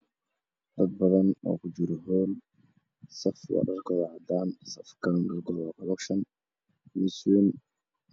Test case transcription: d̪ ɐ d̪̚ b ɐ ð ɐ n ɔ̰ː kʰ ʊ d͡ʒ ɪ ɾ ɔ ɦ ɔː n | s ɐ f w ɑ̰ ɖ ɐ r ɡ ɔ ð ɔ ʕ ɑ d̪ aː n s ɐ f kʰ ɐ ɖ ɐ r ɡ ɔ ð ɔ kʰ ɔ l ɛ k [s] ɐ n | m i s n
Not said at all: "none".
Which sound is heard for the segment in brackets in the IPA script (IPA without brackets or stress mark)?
ʃ